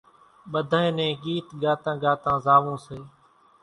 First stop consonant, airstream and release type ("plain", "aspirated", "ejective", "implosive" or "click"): implosive